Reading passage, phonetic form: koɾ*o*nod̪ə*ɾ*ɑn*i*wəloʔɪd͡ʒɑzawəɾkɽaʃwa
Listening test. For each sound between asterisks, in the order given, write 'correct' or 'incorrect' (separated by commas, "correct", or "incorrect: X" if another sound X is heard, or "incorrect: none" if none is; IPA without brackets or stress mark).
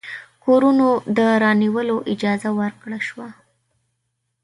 incorrect: u, correct, correct